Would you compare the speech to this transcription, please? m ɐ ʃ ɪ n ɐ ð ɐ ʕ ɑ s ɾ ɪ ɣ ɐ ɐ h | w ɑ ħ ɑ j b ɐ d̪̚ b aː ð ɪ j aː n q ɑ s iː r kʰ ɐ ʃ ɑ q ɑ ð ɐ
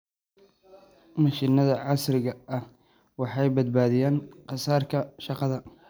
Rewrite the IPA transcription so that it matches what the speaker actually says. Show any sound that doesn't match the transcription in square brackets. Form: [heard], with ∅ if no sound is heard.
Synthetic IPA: m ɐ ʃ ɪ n ɐ ð ɐ ʕ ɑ s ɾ ɪ ɣ ɐ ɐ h | w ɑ ħ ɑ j b ɐ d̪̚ b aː ð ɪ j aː n q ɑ s [aː] r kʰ ɐ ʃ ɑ q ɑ ð ɐ

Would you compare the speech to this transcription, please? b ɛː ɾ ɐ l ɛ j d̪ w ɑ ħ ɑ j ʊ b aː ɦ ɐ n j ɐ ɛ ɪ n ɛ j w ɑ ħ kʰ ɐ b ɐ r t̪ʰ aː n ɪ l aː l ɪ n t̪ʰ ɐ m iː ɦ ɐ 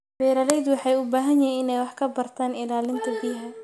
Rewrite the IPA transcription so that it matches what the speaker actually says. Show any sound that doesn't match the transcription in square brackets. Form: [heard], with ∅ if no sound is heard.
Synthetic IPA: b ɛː ɾ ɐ l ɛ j d̪ w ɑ ħ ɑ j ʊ b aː ɦ ɐ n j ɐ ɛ ɪ n ɛ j w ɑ ħ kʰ ɐ b ɐ r t̪ʰ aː n ɪ l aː l ɪ n t̪ʰ ɐ [b] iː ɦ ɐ

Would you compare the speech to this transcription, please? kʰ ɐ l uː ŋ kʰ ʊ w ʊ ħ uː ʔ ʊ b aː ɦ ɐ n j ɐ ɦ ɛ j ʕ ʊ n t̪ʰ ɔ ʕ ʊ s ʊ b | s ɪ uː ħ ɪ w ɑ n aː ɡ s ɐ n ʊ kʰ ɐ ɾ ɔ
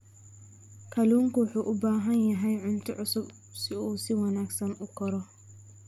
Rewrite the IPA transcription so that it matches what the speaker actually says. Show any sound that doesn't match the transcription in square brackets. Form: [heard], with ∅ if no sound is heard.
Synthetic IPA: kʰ ɐ l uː ŋ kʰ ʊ w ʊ ħ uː ʔ ʊ b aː ɦ ɐ n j ɐ ɦ ɛ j ʕ ʊ n t̪ʰ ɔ ʕ ʊ s ʊ b | s ɪ uː [s] ɪ w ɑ n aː ɡ s ɐ n ʊ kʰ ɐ ɾ ɔ

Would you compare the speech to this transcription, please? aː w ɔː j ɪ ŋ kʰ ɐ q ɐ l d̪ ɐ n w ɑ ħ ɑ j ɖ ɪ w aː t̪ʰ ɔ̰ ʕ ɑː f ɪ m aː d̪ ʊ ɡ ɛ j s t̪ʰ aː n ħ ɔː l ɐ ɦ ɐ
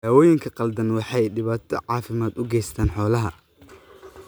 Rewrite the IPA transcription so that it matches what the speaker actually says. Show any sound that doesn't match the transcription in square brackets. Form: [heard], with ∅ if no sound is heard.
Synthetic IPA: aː w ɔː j ɪ ŋ kʰ ɐ q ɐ l d̪ ɐ n w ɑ ħ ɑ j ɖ ɪ [β] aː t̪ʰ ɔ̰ ʕ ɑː f ɪ m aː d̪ ʊ ɡ ɛ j s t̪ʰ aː n ħ ɔː l ɐ ɦ ɐ

